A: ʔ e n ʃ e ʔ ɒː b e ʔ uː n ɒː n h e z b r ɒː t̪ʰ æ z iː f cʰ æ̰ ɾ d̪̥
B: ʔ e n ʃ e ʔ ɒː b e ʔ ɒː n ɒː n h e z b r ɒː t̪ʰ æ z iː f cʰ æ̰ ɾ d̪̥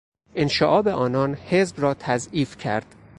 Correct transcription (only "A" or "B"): B